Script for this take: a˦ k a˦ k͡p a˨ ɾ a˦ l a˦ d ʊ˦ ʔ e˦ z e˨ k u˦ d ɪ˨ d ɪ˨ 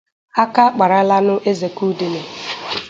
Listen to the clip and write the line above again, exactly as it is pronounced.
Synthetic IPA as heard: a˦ k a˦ k͡p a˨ ɾ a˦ l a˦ n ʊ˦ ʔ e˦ z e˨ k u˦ d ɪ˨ n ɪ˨